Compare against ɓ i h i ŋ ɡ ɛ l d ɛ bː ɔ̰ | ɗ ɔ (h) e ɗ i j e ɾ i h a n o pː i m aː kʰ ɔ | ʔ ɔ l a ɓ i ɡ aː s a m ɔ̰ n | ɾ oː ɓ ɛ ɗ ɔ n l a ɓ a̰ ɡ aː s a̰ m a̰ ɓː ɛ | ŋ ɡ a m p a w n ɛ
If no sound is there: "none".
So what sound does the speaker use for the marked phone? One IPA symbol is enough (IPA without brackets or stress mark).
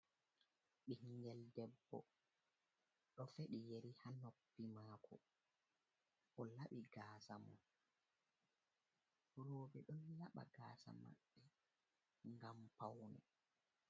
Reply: f